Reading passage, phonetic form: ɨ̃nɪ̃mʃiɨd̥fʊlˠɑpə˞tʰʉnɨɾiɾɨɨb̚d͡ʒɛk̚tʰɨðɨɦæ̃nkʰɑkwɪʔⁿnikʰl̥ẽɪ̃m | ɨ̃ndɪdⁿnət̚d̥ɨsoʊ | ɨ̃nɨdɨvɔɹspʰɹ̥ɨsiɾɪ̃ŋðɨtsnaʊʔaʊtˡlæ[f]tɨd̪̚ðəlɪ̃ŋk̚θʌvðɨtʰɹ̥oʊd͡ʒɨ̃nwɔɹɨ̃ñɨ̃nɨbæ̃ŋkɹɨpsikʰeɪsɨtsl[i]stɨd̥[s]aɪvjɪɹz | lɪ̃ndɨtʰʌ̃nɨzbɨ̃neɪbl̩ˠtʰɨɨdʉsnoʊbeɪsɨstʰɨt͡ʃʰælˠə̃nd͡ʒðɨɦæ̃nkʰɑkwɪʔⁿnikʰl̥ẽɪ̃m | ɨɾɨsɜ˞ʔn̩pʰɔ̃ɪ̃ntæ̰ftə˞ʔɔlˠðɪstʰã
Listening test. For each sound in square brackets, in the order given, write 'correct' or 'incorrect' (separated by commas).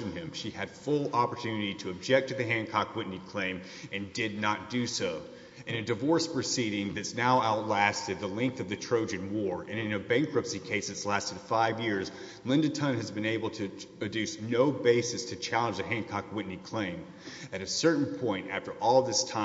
incorrect, incorrect, incorrect